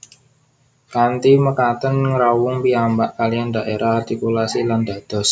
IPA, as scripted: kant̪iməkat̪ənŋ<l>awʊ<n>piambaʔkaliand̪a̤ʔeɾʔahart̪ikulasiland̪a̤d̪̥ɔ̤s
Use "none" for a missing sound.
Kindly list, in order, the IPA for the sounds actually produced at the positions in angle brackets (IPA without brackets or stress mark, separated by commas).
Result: ɾ, ŋ